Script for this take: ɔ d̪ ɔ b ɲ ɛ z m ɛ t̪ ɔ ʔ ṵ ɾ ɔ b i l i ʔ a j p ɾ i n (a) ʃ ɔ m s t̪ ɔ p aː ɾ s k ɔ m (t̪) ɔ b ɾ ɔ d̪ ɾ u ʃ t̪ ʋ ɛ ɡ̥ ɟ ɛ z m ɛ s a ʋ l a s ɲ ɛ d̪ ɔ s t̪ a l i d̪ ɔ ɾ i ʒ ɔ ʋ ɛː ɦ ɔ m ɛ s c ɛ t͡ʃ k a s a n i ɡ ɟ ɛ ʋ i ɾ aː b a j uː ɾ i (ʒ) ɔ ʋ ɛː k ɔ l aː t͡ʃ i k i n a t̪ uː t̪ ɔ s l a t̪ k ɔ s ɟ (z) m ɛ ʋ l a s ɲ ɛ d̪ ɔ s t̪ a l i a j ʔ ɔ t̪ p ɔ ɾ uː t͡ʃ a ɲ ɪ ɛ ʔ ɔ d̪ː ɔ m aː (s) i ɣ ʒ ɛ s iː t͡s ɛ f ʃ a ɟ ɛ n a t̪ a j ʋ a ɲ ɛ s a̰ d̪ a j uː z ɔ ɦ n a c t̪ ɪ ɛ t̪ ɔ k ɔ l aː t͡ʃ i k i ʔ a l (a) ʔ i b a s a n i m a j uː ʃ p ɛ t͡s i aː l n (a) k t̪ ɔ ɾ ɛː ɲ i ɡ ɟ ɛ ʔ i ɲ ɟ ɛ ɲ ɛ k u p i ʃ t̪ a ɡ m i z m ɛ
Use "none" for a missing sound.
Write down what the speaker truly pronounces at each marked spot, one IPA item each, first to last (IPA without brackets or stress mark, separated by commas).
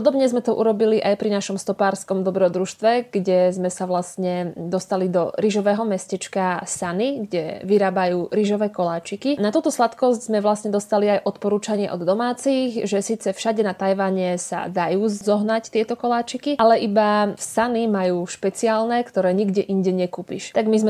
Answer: a, d̪, ʒ, z, t͡s, ɛ, ɛ